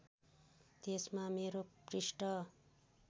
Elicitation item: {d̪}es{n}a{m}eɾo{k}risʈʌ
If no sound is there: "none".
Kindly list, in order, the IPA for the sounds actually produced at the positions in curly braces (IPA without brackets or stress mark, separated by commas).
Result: t̪, m, m, p